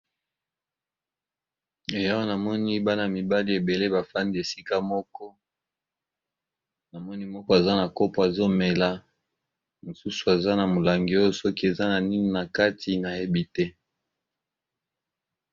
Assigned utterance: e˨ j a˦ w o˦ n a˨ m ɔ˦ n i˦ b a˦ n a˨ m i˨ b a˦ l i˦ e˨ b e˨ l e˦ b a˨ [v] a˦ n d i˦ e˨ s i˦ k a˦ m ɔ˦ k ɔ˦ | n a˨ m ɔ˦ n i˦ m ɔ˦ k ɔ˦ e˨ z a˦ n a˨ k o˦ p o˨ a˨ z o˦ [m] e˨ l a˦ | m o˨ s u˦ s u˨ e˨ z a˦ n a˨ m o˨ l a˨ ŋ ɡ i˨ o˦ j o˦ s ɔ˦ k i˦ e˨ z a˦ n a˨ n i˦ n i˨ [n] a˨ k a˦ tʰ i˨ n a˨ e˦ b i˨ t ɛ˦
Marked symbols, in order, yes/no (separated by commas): no, yes, yes